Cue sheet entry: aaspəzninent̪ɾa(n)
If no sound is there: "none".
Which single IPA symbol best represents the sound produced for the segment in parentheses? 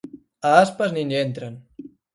n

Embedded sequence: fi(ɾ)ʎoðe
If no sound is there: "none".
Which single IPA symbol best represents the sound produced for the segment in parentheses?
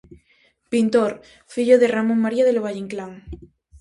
none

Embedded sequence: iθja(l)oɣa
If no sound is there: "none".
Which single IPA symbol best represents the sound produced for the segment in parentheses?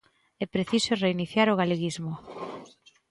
ɾ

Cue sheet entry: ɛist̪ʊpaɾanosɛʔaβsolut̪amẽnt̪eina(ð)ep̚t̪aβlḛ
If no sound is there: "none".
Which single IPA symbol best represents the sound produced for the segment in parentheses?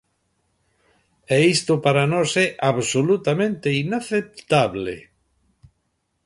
θ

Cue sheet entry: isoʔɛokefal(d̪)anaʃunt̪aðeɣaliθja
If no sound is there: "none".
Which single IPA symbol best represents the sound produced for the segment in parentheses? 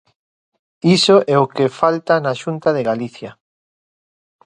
t̪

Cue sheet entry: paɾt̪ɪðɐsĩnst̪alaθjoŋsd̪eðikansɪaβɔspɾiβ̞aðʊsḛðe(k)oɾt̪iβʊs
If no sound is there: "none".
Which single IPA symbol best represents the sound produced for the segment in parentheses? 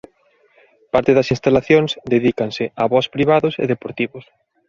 p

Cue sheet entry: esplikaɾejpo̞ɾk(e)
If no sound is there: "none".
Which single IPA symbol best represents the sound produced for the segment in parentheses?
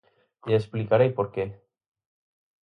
e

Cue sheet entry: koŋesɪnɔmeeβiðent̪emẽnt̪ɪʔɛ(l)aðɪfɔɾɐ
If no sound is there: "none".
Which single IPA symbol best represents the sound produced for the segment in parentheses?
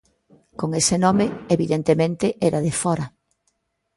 ɾ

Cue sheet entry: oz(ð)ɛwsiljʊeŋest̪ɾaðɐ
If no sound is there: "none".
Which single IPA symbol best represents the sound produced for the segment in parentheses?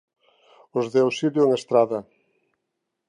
ð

